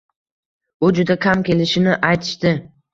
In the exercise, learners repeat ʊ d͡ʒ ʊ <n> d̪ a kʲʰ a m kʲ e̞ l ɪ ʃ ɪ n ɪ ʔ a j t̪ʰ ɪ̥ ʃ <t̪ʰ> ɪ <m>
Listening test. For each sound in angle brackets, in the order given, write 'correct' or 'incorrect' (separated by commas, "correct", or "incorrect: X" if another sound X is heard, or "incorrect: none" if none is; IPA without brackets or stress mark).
incorrect: none, incorrect: t̪, incorrect: none